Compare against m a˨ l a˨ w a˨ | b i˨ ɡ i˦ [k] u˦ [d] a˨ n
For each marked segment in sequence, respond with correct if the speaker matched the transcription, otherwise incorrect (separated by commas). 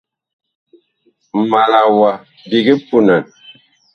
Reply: incorrect, incorrect